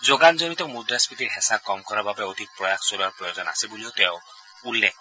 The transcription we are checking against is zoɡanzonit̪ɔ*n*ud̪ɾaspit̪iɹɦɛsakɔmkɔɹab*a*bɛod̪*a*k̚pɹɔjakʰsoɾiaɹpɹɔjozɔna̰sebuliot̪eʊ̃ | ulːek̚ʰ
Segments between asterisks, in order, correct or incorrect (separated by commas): incorrect, correct, incorrect